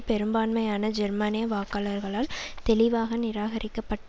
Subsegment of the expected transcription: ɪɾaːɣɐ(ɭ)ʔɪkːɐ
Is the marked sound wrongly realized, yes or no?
yes